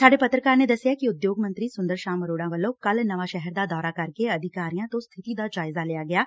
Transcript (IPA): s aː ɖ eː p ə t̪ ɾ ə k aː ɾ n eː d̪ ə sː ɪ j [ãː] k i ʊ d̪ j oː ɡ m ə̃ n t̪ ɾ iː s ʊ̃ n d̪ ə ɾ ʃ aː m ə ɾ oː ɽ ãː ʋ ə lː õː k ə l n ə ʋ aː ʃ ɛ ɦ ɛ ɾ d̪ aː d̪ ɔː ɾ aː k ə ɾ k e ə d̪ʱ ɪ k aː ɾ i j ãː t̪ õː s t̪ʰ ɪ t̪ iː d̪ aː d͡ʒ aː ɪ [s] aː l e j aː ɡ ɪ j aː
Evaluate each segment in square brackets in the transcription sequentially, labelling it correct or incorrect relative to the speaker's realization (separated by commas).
incorrect, incorrect